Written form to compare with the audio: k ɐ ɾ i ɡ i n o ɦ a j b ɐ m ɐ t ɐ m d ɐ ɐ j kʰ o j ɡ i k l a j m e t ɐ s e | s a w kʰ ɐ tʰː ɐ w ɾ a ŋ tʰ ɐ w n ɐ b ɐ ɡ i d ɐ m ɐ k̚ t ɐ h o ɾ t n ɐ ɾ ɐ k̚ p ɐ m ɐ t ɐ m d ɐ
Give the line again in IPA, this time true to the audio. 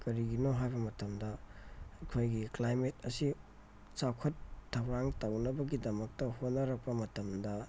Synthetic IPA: k ɐ ɾ i ɡ i n o ɦ a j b ɐ m ɐ t ɐ m d ɐ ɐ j kʰ o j ɡ i k l a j m e t ɐ s i | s a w kʰ ɐ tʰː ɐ w ɾ a ŋ t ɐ w n ɐ b ɐ ɡ i d ɐ m ɐ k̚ t ɐ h o t n ɐ ɾ ɐ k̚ p ɐ m ɐ t ɐ m d ɐ